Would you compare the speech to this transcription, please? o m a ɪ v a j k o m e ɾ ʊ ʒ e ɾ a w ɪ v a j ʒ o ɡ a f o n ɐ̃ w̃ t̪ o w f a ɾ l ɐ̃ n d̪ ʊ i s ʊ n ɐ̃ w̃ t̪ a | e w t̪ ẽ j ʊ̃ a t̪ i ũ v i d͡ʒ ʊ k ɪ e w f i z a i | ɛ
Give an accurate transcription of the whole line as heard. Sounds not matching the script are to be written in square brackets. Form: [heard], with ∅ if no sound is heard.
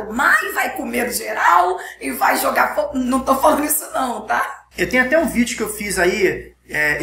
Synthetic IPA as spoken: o m a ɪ v a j k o m e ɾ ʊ ʒ e ɾ a w ɪ v a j ʒ o ɡ a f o n ɐ̃ w̃ t̪ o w f a [∅] l ɐ̃ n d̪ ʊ i s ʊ n ɐ̃ w̃ t̪ a | e w t̪ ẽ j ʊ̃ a t̪ [ɛ] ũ v i d͡ʒ ʊ k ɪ e w f i z a i | ɛ